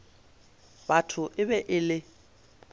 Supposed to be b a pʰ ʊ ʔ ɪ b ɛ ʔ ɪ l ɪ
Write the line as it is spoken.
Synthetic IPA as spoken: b a tʰ ʊ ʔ ɪ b ɛ ʔ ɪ l ɪ